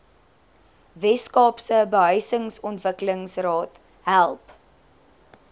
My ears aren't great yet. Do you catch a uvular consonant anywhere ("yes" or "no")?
no